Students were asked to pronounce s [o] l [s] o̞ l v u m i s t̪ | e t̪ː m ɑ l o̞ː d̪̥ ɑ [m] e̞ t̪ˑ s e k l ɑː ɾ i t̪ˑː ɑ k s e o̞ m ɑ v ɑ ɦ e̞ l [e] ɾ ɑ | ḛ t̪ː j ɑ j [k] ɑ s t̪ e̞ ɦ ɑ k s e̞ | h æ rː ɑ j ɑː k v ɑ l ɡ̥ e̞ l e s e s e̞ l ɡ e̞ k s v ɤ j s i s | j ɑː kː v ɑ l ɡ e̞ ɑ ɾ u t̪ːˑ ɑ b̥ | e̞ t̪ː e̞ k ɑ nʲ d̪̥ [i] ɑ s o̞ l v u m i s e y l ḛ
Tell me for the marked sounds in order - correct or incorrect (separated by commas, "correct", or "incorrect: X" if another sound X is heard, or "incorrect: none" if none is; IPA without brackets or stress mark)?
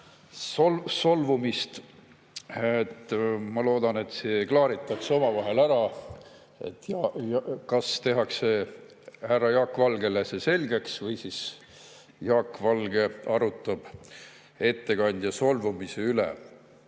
correct, correct, incorrect: n, incorrect: æ, correct, incorrect: j